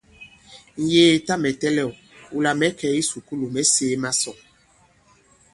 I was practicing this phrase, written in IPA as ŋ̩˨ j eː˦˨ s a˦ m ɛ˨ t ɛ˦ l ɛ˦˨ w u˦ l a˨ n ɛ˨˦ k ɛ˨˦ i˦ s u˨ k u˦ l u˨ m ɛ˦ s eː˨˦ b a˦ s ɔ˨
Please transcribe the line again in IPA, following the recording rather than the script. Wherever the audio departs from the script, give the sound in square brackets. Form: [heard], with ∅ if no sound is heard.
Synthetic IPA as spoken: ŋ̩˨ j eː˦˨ [t] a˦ m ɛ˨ t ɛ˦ l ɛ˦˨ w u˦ l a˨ [m] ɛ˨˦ k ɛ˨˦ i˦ s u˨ k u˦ l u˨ m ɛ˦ s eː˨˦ [m] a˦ s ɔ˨